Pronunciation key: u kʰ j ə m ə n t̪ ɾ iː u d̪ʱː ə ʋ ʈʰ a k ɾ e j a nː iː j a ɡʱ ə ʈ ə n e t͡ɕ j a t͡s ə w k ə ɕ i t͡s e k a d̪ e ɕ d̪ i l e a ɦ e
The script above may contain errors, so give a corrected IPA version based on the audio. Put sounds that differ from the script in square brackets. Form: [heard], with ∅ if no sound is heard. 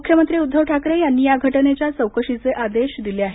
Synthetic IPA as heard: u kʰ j ə m ə n t̪ ɾ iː u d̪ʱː ə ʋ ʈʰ a k ɾ e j a nː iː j a ɡʱ ə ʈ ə n e t͡ɕ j a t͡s ə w k ə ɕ i t͡s e [ʔ] a d̪ e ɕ d̪ i l e a ɦ e